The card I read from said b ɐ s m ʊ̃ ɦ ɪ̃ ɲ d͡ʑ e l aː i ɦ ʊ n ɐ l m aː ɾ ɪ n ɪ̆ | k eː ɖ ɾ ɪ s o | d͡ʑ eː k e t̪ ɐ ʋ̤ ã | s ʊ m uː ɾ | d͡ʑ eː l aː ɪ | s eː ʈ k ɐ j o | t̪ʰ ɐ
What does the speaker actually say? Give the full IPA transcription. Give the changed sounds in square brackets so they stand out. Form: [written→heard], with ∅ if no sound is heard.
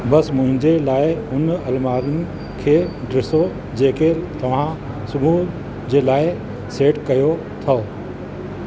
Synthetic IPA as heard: b ɐ s m ʊ̃ ɦ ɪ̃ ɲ d͡ʑ e l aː [i→ɪ] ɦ ʊ n ɐ l m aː ɾ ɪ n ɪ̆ | [k→kʰ] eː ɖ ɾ ɪ s o | d͡ʑ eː k e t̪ ɐ ʋ̤ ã | s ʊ m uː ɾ | d͡ʑ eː l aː ɪ | s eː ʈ k ɐ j o | t̪ʰ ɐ